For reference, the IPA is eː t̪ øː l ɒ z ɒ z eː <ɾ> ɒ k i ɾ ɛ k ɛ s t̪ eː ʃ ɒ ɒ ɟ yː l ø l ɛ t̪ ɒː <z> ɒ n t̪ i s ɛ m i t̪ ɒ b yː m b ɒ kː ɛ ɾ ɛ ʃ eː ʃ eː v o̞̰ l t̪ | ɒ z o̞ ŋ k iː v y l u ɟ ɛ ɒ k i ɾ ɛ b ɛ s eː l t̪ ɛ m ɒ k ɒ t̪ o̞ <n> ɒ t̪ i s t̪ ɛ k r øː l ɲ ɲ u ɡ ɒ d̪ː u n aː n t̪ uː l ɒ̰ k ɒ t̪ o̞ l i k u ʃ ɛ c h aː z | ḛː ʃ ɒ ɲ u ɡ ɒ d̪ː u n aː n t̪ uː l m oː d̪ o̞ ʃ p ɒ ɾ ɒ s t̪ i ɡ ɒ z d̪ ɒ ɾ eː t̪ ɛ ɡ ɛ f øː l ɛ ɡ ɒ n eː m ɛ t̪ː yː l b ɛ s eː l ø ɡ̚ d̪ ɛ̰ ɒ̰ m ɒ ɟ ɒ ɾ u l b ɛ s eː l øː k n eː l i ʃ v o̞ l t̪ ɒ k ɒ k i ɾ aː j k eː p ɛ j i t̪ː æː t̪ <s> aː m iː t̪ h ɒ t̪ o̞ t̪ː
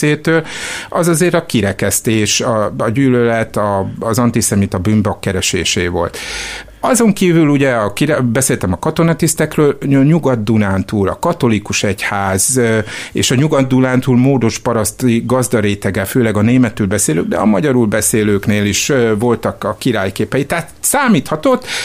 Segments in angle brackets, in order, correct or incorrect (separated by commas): correct, correct, correct, correct